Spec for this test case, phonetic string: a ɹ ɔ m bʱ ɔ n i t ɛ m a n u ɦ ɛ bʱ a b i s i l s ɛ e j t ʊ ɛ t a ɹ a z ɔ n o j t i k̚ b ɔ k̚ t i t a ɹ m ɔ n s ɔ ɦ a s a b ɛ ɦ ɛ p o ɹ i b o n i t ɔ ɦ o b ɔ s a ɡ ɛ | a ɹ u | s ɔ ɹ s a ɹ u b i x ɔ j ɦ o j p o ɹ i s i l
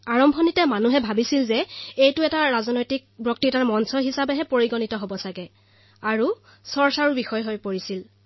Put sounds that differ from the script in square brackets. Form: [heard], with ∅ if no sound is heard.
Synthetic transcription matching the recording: a ɹ ɔ m bʱ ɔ n i t ɛ m a n u ɦ ɛ bʱ a b i s i l [z] ɛ e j t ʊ ɛ t a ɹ a z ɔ n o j t i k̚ b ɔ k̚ t i t a ɹ m ɔ n s ɔ ɦ [i] s a b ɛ ɦ ɛ p o ɹ i [ɡ] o n i t ɔ ɦ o b ɔ s a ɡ ɛ | a ɹ u | s ɔ ɹ s a ɹ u b i x ɔ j ɦ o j p o ɹ i s i l